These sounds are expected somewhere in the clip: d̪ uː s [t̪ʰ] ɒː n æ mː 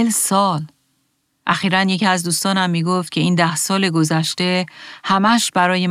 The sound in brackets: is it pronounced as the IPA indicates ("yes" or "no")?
no